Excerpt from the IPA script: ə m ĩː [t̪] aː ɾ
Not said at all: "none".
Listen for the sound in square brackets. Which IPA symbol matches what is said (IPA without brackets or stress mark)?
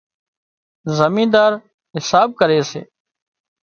d̪